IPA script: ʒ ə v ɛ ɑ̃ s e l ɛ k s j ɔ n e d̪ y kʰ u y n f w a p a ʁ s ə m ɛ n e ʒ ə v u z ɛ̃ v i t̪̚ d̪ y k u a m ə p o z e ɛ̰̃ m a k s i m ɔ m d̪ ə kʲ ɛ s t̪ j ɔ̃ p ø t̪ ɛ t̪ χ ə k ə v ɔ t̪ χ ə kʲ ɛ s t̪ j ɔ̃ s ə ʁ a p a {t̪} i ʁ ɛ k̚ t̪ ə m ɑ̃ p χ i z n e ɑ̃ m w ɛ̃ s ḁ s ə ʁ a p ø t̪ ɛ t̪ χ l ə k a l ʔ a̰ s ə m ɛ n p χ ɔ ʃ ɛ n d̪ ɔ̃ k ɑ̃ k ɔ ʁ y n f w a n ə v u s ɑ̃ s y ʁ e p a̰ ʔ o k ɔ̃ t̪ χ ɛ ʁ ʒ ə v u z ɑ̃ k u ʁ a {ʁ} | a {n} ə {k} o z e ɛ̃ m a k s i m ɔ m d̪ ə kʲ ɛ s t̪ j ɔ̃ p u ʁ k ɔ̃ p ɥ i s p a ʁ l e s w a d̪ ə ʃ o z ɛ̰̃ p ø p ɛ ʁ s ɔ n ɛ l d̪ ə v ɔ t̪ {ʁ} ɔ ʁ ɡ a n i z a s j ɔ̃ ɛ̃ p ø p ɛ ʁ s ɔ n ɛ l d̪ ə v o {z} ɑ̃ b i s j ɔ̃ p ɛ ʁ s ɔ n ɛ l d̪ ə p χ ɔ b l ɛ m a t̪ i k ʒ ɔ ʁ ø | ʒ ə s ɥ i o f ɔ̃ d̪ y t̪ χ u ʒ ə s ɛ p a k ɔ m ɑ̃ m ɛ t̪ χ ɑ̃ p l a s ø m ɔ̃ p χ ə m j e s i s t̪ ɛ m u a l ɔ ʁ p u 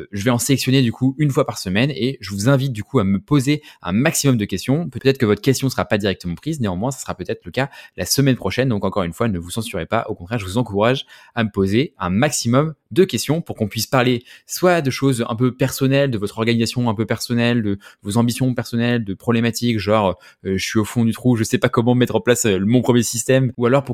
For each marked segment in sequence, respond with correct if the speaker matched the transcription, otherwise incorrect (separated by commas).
incorrect, incorrect, incorrect, incorrect, incorrect, correct